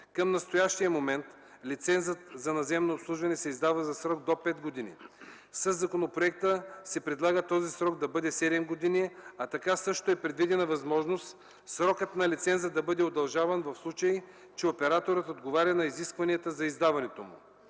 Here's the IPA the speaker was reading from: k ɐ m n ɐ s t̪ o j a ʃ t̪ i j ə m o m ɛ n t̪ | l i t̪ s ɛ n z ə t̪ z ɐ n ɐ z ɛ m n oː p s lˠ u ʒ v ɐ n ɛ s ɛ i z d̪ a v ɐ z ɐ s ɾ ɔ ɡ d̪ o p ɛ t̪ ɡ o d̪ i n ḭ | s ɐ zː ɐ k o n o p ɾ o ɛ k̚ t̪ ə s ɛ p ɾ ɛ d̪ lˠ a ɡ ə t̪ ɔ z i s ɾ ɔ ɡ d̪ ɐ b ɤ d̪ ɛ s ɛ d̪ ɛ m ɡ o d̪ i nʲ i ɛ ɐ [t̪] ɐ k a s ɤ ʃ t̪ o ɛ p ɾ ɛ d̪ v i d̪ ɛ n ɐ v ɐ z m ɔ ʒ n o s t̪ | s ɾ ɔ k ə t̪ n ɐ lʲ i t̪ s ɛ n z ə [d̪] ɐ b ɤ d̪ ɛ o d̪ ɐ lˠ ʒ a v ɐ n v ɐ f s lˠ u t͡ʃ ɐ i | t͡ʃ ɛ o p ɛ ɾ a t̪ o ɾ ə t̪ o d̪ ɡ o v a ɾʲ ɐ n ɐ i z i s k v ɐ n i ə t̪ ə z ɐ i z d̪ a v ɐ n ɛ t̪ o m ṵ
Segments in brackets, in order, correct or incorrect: correct, correct

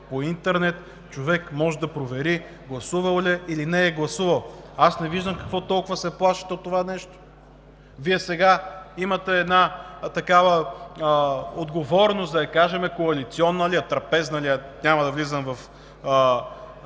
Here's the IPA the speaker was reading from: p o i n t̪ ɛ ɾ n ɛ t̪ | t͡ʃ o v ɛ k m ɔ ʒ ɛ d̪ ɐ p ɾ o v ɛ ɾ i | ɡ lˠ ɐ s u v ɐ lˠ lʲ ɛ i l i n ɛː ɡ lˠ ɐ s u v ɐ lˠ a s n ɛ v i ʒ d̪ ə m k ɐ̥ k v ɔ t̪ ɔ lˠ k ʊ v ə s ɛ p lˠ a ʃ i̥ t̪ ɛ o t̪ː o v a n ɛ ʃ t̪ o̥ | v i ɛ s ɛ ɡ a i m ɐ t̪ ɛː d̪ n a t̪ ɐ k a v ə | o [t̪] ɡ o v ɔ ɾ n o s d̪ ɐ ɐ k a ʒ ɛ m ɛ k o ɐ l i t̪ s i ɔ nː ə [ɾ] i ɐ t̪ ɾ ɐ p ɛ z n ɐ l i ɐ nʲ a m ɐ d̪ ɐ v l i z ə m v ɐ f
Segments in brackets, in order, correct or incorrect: incorrect: d̪, incorrect: l

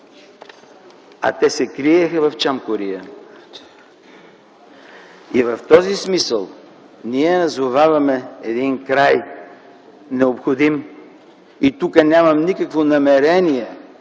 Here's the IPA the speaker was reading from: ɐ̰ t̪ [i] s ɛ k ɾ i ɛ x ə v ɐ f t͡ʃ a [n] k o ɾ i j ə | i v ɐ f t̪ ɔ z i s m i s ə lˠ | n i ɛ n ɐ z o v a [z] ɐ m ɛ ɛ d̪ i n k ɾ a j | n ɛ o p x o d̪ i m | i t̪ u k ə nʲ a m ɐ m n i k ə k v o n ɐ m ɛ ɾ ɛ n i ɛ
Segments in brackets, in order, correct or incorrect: incorrect: ɛ, incorrect: m, incorrect: v

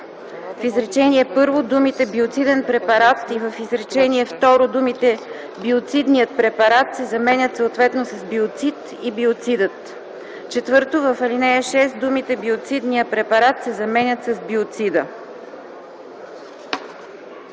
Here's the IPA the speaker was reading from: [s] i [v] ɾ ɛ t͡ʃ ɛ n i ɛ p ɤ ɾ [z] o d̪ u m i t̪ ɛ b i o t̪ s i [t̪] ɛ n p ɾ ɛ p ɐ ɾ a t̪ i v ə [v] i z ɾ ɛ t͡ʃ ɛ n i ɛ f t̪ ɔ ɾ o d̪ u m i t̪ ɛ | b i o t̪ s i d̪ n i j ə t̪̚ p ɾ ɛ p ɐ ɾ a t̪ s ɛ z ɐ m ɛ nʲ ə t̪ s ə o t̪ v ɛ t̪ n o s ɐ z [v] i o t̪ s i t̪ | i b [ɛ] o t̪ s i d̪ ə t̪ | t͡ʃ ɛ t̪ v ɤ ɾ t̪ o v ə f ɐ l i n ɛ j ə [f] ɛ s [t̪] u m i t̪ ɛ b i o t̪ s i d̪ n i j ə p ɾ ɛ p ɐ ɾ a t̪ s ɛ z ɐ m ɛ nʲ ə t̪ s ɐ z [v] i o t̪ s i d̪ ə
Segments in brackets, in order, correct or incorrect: incorrect: f, incorrect: z, incorrect: v, incorrect: d̪, incorrect: f, incorrect: b, incorrect: i, incorrect: ʃ, incorrect: d̪, incorrect: b

